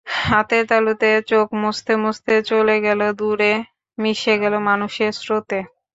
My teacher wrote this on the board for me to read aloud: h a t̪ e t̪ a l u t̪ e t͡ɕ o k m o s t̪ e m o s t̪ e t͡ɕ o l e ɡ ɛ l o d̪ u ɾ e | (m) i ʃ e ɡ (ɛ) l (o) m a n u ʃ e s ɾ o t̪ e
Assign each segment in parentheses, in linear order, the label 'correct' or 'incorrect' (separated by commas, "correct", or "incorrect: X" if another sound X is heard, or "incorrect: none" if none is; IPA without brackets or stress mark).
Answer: correct, correct, correct